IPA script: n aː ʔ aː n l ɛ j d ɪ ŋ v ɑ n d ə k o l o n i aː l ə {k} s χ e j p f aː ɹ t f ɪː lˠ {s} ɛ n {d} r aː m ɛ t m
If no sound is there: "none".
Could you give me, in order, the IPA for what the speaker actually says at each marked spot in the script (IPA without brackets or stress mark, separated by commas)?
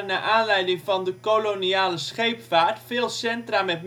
none, s, t